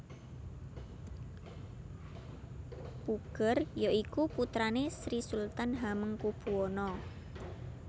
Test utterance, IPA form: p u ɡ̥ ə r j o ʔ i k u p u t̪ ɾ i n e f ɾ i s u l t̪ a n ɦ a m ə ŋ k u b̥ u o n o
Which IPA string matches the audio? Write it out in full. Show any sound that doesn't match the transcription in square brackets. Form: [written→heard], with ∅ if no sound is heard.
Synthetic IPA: p u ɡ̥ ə r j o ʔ i k u p u t̪ ɾ [i→a] n e [f→s] ɾ i s u l t̪ a n ɦ a m ə ŋ k u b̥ u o n [o→ɔ]